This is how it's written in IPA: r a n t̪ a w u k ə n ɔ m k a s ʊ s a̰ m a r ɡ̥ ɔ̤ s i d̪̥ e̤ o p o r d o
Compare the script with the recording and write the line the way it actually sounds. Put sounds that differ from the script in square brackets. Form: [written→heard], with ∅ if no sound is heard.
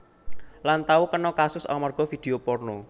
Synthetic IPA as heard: [r→l] a n t̪ a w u k ə n ɔ [m→∅] k a s ʊ s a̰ m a r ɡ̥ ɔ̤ [s→f] i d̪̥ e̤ o p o r [d→n] o